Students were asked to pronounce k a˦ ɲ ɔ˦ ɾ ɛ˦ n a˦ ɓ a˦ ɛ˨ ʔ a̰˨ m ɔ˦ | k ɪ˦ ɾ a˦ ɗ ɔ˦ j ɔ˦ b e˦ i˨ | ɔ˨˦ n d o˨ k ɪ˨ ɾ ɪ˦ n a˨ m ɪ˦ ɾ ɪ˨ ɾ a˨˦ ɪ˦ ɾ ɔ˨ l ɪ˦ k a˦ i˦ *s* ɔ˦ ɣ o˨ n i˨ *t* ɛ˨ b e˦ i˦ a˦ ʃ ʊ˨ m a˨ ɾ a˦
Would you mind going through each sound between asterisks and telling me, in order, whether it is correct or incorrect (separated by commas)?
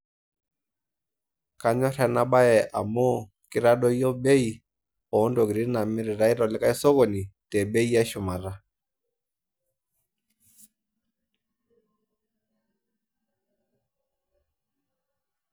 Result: correct, correct